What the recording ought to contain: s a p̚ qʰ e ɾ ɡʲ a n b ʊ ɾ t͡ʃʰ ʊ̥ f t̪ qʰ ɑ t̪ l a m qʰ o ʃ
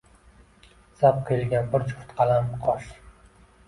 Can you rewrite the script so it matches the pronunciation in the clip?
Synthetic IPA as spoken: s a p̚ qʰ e l ɡʲ a n b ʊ ɾ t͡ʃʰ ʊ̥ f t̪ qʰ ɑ l a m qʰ ɒ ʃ